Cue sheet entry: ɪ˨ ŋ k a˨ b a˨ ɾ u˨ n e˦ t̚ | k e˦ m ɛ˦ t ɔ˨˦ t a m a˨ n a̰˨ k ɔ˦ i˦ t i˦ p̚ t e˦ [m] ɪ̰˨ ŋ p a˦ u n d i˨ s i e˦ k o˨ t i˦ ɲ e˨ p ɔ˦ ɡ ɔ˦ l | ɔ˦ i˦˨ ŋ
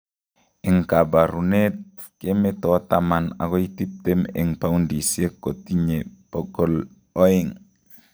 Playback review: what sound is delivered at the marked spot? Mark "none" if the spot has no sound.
m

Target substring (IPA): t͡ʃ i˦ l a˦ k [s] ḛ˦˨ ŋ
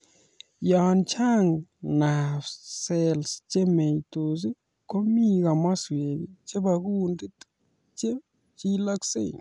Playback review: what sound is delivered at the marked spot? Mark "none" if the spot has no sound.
s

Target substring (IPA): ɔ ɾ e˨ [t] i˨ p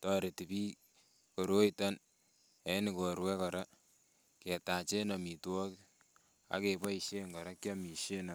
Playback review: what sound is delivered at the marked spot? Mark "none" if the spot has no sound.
t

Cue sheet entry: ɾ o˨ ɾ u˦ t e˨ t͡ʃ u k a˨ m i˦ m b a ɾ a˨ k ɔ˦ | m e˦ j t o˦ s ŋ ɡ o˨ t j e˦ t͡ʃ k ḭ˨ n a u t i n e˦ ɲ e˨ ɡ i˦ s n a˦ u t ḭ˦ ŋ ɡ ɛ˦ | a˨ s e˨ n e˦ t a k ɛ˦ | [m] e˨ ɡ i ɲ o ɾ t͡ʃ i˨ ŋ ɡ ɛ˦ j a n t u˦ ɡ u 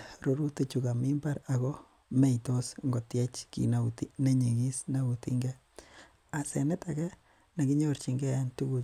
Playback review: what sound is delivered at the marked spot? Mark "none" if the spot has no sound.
n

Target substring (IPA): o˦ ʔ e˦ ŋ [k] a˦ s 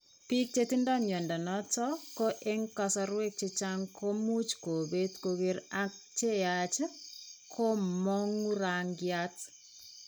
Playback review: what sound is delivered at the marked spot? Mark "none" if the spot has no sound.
k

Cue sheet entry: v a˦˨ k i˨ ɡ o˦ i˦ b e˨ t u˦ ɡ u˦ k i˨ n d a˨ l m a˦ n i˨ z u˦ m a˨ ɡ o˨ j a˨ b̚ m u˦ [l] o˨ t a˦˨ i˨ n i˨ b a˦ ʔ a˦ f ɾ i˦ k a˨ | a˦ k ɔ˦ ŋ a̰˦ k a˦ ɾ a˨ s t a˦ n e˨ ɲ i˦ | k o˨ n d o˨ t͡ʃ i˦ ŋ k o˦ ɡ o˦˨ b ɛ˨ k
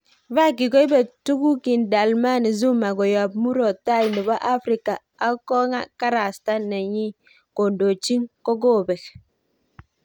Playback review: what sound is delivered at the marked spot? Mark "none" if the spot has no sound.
ɾ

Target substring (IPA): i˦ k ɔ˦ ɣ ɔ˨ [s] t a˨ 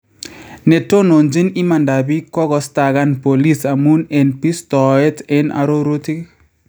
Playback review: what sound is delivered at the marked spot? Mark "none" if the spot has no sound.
s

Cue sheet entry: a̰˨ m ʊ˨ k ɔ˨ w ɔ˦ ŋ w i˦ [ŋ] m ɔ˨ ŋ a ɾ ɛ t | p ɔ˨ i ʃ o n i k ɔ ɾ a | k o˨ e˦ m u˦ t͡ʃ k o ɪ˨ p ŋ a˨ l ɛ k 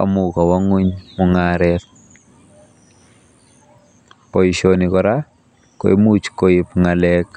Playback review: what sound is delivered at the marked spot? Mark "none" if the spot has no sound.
ɲ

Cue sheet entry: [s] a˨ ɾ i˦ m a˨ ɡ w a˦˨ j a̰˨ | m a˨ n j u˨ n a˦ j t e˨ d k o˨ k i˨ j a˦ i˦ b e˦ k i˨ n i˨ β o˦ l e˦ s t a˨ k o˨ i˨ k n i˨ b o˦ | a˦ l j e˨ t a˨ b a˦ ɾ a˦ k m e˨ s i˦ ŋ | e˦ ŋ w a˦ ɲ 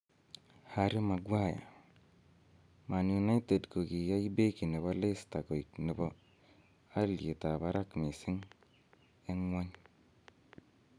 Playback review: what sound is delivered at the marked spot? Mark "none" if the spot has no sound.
h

